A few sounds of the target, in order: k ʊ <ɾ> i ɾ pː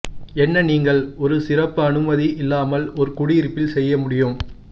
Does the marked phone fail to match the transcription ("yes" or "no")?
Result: yes